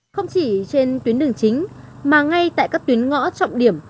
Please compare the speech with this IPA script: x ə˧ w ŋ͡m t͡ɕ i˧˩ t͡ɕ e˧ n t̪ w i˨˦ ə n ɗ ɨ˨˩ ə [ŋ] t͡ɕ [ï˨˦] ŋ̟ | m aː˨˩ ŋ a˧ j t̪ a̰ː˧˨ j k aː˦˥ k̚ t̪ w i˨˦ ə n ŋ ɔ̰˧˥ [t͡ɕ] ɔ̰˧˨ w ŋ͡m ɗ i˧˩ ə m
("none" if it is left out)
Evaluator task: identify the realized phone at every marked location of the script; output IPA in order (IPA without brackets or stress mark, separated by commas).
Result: ŋ, ï˨˦, t͡ɕ